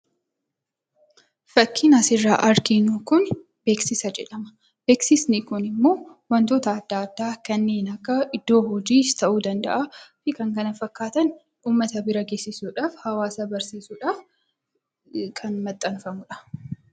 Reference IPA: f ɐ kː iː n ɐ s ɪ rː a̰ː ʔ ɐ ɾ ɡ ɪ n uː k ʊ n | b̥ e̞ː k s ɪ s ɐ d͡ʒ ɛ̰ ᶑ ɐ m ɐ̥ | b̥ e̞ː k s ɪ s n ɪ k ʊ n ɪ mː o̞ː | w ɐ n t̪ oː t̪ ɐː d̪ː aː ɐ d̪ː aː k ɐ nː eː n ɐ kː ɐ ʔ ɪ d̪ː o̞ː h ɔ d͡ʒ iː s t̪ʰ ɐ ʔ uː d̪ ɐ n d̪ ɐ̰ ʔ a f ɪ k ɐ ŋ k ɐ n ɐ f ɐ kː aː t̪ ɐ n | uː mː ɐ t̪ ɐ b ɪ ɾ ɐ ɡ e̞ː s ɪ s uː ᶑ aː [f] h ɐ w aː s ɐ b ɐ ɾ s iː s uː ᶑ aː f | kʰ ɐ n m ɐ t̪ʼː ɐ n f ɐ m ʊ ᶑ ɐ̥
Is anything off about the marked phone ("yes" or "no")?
no